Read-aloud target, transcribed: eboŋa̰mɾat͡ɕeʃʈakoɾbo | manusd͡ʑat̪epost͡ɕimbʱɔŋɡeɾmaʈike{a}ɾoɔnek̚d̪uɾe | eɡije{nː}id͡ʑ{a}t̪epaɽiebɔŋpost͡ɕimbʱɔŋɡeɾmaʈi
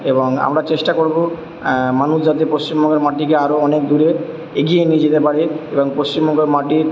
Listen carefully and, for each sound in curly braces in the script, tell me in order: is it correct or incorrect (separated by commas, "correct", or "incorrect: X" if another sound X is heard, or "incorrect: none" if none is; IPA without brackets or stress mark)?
correct, incorrect: n, incorrect: e